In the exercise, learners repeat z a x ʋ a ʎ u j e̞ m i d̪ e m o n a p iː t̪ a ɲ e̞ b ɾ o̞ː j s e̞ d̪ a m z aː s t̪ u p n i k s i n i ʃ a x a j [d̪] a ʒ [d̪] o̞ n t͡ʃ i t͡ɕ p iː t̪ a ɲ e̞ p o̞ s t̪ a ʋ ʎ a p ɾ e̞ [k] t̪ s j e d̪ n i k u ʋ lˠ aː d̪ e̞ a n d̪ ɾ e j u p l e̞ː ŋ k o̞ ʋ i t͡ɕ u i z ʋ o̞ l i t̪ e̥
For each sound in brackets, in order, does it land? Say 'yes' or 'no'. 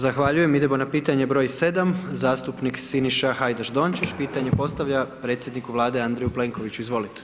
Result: yes, yes, no

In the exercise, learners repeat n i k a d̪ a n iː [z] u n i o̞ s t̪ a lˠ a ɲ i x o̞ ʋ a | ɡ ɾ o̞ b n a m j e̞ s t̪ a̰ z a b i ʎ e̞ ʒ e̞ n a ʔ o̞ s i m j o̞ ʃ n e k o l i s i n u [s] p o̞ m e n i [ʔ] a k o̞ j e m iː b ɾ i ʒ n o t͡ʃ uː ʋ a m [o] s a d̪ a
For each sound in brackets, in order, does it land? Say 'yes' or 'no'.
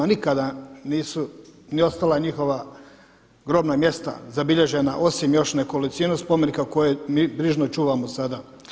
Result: no, yes, no, yes

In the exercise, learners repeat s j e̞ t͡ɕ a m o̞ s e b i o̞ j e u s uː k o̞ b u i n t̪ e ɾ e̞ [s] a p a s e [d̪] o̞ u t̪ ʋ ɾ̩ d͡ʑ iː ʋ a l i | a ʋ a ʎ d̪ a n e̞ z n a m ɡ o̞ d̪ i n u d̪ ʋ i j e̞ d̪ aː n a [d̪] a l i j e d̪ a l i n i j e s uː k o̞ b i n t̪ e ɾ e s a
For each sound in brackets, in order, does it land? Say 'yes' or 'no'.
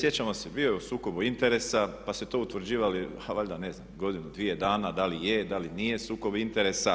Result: yes, no, yes

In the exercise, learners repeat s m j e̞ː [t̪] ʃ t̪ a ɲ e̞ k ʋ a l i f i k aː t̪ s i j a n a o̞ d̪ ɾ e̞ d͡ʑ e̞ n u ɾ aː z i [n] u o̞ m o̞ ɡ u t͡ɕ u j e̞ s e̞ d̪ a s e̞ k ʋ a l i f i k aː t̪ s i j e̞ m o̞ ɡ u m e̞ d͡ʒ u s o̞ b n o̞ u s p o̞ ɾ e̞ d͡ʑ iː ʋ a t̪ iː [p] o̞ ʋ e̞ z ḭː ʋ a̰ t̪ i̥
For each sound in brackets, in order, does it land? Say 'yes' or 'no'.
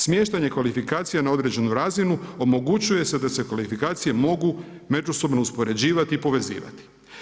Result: no, yes, yes

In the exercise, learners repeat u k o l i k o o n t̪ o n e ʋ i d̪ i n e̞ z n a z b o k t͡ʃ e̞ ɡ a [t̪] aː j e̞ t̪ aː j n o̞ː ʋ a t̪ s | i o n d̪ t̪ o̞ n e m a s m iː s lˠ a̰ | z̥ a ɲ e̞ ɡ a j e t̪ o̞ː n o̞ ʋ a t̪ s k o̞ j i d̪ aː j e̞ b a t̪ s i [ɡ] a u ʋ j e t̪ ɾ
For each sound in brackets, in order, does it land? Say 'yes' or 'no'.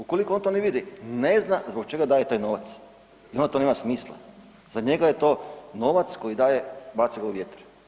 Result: no, yes

